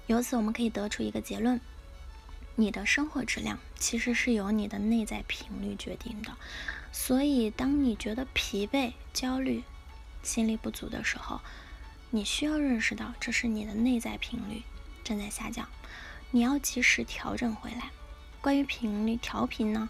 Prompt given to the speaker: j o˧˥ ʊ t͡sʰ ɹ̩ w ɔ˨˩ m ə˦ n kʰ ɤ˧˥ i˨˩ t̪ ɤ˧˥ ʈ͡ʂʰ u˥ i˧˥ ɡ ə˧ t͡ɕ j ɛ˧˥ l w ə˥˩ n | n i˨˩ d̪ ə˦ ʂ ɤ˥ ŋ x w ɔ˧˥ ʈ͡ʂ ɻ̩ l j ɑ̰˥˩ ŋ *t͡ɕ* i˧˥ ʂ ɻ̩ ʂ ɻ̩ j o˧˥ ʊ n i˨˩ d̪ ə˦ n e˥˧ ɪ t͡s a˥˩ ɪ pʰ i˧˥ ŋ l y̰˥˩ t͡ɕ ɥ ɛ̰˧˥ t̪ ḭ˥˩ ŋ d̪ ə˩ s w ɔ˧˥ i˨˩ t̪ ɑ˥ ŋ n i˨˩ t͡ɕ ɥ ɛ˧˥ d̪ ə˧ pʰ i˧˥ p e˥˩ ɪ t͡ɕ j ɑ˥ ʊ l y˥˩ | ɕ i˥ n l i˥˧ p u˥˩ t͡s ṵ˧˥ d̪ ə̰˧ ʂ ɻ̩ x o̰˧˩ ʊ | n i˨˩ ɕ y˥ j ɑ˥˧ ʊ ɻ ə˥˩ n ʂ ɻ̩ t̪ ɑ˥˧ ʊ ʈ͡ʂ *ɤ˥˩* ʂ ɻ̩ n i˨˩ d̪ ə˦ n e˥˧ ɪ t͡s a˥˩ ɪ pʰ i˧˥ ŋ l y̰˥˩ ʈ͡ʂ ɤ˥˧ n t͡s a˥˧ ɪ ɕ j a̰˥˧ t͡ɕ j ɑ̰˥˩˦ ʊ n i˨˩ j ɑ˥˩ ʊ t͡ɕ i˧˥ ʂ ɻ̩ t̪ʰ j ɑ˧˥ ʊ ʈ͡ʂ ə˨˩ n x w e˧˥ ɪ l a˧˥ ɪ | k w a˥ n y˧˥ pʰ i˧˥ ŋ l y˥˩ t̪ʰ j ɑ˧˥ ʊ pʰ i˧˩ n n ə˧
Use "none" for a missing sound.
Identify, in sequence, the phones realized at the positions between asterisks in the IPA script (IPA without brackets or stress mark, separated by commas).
t͡ɕʰ, ɤ˥˧